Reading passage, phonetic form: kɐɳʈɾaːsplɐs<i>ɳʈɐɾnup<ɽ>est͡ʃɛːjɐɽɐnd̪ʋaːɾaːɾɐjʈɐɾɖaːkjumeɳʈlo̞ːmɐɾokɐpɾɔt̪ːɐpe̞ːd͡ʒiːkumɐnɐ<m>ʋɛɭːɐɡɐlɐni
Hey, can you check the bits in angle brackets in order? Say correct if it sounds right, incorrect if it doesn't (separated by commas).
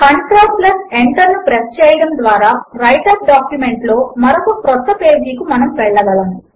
incorrect, incorrect, correct